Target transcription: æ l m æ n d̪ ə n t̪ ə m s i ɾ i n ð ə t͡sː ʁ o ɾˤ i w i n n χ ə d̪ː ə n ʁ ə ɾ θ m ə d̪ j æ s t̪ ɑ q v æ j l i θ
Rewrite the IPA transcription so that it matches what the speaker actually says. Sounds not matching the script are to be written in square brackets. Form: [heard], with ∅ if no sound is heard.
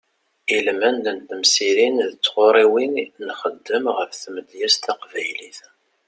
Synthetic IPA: [i] l m æ n d̪ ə n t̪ ə m s i ɾ i n ð ə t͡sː ʁ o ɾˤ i w i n n χ ə d̪ː ə [m] ʁ ə ɾ θ m ə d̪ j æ s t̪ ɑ q v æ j l i θ